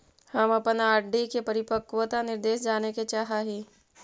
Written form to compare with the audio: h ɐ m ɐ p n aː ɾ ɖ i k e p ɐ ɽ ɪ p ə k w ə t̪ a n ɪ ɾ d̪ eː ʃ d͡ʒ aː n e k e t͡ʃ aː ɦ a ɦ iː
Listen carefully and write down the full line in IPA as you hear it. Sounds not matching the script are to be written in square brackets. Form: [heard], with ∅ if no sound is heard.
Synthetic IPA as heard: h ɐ m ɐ p n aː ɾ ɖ i k e p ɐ [ɾ] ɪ p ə k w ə t̪ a n ɪ ɾ d̪ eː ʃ d͡ʒ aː n e k e t͡ʃ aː ɦ a ɦ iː